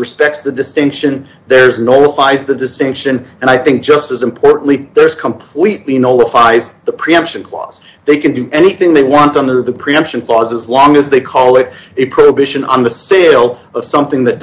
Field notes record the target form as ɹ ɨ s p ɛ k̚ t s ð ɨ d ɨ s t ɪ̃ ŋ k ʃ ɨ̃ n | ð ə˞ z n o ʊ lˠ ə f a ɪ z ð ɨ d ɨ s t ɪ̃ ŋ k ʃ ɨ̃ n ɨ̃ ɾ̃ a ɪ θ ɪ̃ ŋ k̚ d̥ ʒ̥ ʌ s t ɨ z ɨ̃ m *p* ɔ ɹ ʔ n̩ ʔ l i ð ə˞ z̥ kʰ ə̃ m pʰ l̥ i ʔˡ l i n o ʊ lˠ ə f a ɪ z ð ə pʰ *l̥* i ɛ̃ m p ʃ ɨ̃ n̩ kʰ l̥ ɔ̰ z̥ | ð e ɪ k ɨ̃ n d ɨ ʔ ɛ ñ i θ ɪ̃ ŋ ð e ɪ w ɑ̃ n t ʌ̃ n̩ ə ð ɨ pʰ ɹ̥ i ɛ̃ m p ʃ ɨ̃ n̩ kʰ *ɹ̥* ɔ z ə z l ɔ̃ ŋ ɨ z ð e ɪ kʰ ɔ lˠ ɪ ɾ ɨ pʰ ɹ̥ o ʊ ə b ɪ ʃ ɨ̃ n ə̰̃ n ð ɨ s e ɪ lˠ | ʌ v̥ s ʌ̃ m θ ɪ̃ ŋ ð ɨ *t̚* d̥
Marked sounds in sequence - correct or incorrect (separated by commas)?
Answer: incorrect, incorrect, incorrect, correct